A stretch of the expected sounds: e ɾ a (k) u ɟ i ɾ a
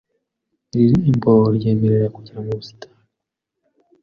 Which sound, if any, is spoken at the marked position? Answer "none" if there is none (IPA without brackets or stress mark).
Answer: k